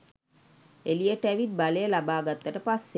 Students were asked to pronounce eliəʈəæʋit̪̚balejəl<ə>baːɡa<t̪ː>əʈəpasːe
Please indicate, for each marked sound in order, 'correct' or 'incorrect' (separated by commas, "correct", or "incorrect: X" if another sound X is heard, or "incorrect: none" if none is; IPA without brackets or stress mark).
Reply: incorrect: a, correct